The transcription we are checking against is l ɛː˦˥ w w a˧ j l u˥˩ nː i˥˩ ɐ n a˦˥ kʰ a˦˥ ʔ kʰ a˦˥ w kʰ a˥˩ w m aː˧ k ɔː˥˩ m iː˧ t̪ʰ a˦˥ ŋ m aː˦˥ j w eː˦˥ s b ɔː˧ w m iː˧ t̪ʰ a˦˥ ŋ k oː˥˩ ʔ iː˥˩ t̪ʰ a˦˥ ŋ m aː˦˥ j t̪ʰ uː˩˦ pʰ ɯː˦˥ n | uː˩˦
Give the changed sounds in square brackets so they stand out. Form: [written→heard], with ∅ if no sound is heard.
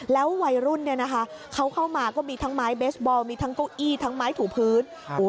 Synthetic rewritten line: l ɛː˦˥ w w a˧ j [l→ɾ] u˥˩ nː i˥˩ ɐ n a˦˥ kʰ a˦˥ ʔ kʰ a˦˥ w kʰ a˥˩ w m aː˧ k ɔː˥˩ m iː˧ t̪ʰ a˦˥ ŋ m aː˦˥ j [w→b] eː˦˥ s b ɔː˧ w m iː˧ t̪ʰ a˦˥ ŋ k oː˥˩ ʔ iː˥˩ t̪ʰ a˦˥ ŋ m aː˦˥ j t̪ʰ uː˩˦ pʰ ɯː˦˥ n | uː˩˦